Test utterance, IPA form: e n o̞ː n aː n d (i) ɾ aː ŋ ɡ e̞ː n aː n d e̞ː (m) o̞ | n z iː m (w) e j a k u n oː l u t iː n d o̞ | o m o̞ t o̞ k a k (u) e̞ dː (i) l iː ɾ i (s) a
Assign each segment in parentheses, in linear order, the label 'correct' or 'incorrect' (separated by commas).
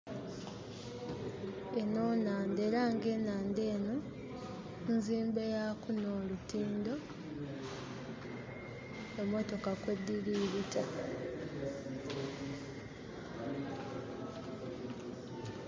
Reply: incorrect, incorrect, incorrect, incorrect, correct, incorrect